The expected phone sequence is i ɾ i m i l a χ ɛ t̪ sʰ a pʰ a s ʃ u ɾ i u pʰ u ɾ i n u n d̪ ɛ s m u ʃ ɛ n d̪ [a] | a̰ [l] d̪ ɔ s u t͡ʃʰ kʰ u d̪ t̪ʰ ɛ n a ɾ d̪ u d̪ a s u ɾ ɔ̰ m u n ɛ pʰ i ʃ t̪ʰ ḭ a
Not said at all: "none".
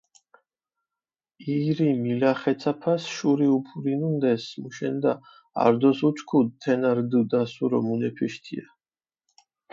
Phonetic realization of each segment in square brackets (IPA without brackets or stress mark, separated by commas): a, ɾ